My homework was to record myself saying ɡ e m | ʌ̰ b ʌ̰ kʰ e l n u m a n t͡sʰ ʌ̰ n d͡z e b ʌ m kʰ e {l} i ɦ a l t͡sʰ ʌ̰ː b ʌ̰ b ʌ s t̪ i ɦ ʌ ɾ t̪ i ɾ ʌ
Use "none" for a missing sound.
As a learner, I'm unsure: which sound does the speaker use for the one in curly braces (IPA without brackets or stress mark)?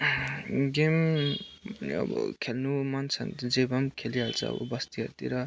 l